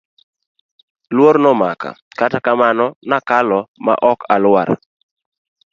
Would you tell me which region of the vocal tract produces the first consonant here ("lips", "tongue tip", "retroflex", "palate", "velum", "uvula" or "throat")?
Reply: tongue tip